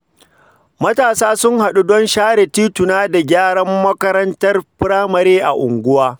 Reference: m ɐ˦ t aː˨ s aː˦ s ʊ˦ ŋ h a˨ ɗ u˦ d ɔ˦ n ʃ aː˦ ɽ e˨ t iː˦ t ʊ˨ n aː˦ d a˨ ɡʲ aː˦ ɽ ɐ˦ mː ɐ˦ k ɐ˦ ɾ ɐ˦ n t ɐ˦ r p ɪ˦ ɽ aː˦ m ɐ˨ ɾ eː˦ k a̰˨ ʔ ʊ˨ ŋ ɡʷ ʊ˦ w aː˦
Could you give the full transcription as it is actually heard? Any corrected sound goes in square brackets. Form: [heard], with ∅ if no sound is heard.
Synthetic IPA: m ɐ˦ t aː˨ s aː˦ s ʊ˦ ŋ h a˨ ɗ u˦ d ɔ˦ n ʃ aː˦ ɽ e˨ t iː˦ t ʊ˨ n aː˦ d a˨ ɡʲ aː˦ ɽ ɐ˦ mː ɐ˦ k ɐ˦ ɾ ɐ˦ n t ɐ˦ r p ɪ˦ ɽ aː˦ m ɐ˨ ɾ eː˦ [ʔ] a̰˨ ʔ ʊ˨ ŋ ɡʷ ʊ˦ w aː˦